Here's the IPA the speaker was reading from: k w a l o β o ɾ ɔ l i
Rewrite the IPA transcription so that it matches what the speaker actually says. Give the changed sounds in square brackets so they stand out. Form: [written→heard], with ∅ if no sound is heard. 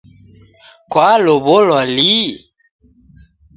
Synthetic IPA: k w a l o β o [ɾ→l] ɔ l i